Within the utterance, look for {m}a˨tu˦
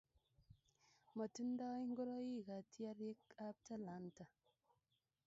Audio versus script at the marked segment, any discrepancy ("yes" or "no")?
no